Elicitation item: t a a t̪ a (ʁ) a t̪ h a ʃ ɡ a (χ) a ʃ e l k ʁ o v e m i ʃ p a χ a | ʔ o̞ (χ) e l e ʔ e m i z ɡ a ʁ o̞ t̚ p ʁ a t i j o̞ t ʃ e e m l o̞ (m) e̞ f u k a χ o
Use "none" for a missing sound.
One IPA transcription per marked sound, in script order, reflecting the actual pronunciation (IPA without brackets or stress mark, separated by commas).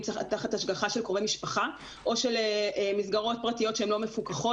χ, χ, ʃ, m